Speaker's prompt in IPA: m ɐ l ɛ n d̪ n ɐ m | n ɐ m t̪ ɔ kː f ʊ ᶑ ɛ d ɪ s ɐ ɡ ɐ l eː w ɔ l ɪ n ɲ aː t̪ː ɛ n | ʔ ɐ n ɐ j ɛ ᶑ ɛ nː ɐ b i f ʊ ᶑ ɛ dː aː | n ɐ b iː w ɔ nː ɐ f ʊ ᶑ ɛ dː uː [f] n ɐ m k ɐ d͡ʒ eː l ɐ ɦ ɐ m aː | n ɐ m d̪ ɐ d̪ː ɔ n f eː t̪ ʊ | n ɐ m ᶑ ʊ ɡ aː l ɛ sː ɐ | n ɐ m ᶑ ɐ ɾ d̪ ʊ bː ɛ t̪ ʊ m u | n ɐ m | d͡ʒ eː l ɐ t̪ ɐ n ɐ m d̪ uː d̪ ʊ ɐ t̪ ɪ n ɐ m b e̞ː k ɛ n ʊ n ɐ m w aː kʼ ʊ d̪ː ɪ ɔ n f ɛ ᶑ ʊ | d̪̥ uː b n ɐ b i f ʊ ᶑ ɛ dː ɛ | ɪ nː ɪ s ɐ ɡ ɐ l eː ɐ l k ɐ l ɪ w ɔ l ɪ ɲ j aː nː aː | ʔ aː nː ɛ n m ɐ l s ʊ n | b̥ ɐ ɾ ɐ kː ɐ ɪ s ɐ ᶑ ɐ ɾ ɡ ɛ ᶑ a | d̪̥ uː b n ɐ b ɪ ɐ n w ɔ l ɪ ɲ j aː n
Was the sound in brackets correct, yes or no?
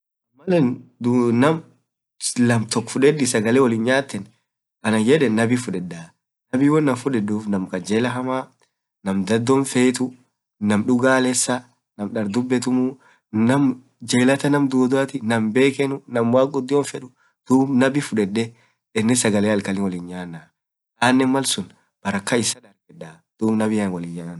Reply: yes